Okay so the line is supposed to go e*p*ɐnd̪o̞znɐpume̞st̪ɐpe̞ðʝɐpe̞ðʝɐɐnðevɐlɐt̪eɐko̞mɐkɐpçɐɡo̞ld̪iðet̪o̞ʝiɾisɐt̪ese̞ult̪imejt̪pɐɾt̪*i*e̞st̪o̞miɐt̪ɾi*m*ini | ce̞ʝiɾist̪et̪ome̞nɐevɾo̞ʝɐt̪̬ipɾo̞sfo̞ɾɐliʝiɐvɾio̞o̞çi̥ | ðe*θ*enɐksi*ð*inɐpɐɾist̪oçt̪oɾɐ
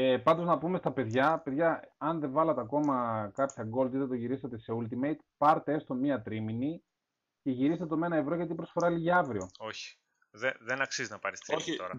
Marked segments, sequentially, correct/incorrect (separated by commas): correct, incorrect, correct, incorrect, incorrect